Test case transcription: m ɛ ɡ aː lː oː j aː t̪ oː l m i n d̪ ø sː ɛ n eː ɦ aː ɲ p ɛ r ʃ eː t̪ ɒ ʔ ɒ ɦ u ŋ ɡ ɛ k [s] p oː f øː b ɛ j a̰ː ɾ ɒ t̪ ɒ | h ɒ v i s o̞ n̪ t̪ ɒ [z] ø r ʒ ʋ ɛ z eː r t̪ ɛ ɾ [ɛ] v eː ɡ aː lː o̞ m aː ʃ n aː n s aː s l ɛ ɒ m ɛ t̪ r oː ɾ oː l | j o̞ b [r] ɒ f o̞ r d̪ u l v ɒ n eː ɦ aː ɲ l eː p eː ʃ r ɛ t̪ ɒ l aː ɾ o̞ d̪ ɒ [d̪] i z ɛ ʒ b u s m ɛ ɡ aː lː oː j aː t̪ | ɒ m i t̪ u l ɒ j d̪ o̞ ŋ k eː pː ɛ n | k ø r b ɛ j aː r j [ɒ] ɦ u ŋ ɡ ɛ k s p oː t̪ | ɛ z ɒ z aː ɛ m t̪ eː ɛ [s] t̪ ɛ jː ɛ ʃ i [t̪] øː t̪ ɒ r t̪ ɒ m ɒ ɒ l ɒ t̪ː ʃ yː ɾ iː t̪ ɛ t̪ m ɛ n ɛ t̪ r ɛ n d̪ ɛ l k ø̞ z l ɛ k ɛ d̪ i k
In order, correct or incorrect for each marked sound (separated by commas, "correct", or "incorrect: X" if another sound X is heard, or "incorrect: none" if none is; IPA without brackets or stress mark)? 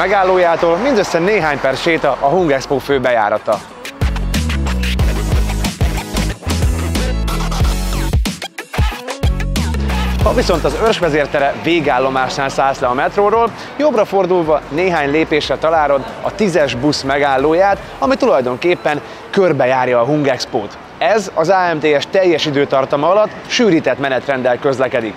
correct, correct, correct, correct, incorrect: t̪, incorrect: ɒː, incorrect: ʃ, incorrect: d̪